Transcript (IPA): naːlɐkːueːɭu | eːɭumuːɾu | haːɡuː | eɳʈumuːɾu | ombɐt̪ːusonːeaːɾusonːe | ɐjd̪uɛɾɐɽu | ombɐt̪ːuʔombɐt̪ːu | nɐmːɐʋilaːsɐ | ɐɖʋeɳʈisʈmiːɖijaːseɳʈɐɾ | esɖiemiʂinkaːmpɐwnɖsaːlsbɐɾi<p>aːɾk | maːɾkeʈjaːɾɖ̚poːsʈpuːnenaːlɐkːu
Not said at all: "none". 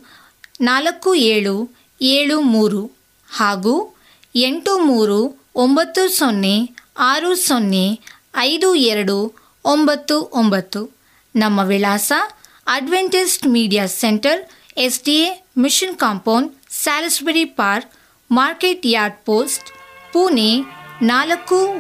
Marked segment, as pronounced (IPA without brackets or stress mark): p